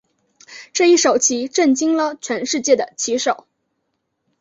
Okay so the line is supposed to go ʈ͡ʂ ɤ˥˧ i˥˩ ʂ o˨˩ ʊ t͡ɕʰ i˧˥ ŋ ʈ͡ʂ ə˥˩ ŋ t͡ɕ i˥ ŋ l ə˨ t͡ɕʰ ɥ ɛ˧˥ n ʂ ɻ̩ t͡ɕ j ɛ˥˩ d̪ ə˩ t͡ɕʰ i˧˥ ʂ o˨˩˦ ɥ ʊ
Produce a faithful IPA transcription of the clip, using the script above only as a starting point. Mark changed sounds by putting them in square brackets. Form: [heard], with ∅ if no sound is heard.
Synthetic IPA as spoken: ʈ͡ʂ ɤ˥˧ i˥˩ ʂ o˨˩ ʊ t͡ɕʰ i˧˥ [∅] ʈ͡ʂ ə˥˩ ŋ t͡ɕ i˥ ŋ l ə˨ t͡ɕʰ ɥ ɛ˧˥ n ʂ ɻ̩ t͡ɕ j ɛ˥˩ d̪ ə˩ t͡ɕʰ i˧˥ ʂ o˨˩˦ [∅] ʊ